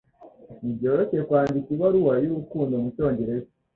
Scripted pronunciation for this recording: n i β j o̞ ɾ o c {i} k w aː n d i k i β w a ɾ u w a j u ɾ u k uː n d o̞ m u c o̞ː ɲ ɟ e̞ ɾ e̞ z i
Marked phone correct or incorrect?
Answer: incorrect